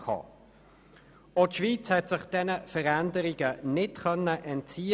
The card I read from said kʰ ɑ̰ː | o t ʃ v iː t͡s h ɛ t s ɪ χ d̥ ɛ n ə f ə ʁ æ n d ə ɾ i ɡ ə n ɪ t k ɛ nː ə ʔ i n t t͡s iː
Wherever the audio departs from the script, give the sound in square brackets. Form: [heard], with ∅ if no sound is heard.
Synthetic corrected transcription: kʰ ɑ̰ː | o t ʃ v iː t͡s h ɛ t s ɪ χ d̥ ɛ n ə f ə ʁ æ n d ə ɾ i ɡ ə n ɪ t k [œ] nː ə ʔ [ɛ] n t t͡s iː

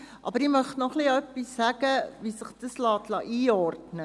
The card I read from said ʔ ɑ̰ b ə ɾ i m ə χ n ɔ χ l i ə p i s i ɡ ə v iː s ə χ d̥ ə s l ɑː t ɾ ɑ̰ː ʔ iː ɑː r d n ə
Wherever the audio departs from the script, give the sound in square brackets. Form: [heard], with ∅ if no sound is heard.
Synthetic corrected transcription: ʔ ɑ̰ b ə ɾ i m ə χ n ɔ χ l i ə p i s [æ] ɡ ə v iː s ə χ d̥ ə s l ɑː t [l] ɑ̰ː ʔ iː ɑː r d n ə

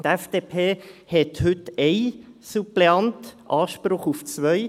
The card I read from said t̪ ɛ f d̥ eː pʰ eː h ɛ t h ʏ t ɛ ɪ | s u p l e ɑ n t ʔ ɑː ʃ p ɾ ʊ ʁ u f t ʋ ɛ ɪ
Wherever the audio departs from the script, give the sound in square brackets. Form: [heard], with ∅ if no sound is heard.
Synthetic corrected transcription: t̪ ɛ f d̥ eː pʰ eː h ɛ t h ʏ t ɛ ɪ | s u p l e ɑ n t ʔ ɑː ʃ p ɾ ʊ [χ] u f [t͡s] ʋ [œ] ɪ

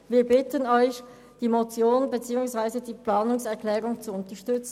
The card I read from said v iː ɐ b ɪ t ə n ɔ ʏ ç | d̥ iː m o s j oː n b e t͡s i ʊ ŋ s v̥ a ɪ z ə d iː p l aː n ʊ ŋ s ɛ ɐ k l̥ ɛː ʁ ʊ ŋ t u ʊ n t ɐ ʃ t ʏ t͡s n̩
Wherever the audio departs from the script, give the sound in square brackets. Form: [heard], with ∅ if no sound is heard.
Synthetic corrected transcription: v iː ɐ b ɪ t ə n ɔ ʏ ç | d̥ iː m o [t͡s] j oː n b e t͡s [iː] ʊ ŋ s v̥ a ɪ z ə d iː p l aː n ʊ ŋ s ɛ ɐ k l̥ ɛː ʁ ʊ ŋ [t͡s] u ʊ n t ɐ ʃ t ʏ t͡s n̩

